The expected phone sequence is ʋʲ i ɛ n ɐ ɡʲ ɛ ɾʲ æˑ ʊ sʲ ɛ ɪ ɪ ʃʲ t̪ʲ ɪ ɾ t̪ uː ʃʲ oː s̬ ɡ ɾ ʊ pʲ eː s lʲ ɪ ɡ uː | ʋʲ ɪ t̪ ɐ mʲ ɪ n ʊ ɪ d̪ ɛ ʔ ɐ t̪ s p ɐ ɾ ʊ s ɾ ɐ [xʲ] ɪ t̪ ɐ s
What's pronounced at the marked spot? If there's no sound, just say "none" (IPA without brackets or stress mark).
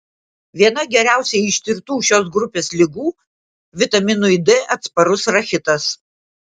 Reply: xʲ